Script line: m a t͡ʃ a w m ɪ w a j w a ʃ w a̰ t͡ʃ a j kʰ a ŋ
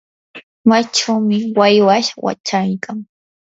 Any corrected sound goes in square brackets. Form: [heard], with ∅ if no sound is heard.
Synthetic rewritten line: m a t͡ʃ a w m ɪ w a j w a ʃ w a̰ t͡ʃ a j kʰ a ŋ